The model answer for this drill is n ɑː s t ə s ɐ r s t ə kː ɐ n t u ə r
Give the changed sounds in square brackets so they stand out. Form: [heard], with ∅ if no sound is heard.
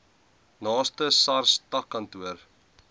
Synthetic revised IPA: n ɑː s t ə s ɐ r s t [ɐ] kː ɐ n t u ə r

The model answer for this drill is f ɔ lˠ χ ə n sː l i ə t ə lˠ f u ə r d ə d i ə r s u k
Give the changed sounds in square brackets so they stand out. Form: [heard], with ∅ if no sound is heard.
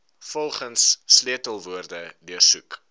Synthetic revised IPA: f ɔ lˠ χ ə n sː l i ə t ə lˠ [v] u ə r d ə d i ə r s u k

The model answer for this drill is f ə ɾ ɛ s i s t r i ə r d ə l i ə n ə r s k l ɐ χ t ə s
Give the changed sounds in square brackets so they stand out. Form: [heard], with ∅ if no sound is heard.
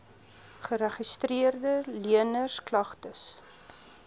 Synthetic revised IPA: [χ] ə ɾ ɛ [χ] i s t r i ə r d ə l i ə n ə r s k l ɐ χ t ə s

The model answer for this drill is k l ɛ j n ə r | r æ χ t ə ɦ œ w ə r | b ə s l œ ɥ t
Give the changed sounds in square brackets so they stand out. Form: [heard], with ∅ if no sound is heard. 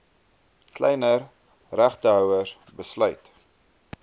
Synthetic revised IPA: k l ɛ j n ə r | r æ χ t ə ɦ œ w ə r | b ə s l œ ɥ t

